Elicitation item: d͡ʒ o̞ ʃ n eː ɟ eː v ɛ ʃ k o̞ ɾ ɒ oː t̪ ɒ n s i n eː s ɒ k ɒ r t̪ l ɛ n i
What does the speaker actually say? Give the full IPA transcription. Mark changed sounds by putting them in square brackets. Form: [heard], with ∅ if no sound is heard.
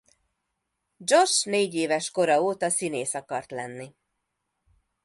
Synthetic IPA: d͡ʒ o̞ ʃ n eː ɟ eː v ɛ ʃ k o̞ ɾ ɒ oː t̪ ɒ [∅] s i n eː s ɒ k ɒ r t̪ l ɛ [nː] i